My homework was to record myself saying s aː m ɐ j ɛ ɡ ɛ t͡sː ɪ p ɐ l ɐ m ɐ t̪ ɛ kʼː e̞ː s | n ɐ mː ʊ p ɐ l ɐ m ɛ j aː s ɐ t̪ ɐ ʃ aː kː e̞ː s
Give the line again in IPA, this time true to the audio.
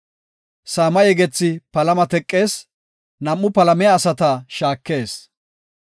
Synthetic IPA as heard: s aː m ɐ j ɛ ɡ ɛ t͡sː ɪ p ɐ l ɐ m ɐ t̪ ɛ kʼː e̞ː s | n ɐ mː ʊ p ɐ l ɐ m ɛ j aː s ɐ t̪ ɐ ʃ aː kː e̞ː s